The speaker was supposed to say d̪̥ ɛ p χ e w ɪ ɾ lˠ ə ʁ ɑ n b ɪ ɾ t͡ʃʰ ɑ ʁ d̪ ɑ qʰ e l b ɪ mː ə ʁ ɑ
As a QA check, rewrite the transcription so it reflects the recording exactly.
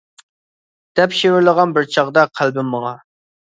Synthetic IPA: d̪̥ ɛ p ʃ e w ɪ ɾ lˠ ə ʁ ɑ n b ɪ ɾ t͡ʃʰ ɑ ʁ d̪ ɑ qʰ æ l b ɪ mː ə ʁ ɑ